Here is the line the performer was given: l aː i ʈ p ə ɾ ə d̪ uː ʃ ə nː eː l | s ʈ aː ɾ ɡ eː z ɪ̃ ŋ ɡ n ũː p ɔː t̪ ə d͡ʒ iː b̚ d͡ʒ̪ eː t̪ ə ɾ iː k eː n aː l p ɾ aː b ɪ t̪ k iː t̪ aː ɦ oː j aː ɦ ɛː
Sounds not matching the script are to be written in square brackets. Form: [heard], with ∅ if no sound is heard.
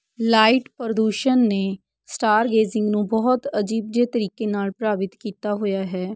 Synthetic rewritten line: l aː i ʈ p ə ɾ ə d̪ uː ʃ ə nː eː [∅] | s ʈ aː ɾ ɡ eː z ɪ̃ ŋ ɡ n ũː [b] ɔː t̪ ə d͡ʒ iː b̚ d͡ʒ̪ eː t̪ ə ɾ iː k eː n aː l p ɾ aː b ɪ t̪ k iː t̪ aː ɦ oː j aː ɦ ɛː